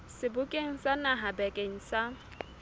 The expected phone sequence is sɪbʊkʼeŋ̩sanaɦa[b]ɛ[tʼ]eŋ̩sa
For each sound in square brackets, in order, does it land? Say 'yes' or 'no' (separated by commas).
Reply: yes, no